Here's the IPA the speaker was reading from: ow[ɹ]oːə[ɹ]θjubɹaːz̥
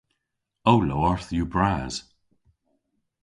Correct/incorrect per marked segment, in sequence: incorrect: l, correct

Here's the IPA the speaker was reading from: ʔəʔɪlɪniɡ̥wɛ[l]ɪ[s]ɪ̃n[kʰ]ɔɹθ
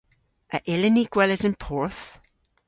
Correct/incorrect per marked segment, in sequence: correct, incorrect: z, incorrect: pʰ

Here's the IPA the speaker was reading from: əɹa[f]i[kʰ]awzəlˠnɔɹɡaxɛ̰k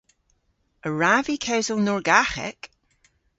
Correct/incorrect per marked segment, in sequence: incorrect: v, correct

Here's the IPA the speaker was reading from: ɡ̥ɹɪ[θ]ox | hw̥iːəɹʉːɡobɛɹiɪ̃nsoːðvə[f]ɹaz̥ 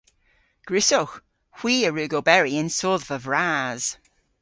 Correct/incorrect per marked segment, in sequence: incorrect: s, incorrect: v

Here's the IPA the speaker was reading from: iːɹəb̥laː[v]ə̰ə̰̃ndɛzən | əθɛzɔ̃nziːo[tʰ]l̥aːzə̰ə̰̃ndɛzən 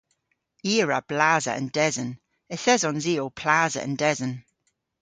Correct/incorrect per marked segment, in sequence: incorrect: z, incorrect: pʰ

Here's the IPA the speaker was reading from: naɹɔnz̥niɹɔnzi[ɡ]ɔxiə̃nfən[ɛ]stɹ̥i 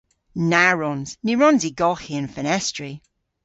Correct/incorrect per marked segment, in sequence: correct, correct

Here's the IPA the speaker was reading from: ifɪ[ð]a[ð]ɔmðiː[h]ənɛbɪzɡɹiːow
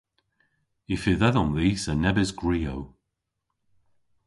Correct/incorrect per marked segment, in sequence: correct, correct, incorrect: s

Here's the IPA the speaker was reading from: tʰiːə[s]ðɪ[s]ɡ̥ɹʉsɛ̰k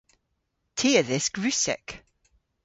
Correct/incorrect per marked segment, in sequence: incorrect: none, correct

